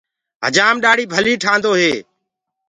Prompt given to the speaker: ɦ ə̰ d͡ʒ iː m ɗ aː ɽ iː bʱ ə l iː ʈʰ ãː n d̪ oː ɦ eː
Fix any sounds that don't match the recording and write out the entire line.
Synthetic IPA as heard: ɦ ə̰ d͡ʒ aː m ɗ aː ɽ iː bʱ ə l iː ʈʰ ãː n d̪ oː ɦ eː